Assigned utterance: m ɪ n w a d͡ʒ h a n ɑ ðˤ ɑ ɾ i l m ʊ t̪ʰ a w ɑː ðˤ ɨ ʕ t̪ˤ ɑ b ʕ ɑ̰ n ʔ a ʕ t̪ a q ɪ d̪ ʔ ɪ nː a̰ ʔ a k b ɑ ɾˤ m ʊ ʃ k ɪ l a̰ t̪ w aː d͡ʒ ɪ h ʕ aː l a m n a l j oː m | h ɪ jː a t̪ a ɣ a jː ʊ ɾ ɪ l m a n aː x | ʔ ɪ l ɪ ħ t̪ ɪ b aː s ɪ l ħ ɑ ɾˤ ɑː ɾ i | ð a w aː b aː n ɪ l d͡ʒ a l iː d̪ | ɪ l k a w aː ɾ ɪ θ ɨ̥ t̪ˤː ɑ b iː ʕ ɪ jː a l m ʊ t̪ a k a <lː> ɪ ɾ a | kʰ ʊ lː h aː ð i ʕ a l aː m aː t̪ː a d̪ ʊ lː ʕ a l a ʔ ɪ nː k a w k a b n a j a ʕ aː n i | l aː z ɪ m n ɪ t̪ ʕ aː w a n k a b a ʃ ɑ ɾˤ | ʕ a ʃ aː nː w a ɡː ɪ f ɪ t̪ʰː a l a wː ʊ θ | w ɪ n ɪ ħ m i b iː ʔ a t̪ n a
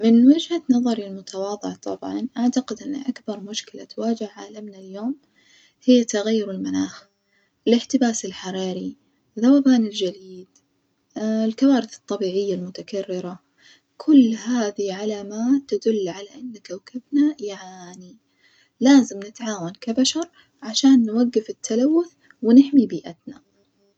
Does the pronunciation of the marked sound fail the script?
yes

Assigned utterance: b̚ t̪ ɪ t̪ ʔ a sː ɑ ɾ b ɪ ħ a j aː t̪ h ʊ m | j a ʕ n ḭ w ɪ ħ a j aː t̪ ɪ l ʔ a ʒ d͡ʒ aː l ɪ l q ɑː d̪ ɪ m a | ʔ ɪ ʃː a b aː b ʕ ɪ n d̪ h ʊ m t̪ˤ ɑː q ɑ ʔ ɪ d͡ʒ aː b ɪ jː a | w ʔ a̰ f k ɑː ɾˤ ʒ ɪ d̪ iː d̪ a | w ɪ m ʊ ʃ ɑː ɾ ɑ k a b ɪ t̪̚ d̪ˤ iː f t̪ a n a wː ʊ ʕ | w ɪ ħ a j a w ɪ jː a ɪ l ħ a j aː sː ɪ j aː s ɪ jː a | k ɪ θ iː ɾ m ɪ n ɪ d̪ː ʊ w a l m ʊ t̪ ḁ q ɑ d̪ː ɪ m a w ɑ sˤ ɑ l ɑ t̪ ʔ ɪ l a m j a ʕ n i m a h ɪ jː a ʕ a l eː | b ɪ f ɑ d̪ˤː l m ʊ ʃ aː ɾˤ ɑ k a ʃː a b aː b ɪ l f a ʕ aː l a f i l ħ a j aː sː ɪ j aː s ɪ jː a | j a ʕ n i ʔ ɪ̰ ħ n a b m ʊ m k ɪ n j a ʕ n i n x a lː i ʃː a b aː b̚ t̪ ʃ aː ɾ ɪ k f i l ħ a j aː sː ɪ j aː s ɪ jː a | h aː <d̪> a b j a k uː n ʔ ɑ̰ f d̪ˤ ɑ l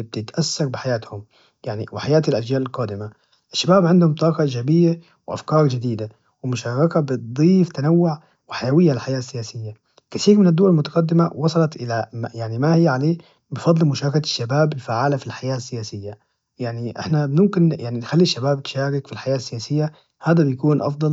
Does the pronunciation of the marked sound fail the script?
no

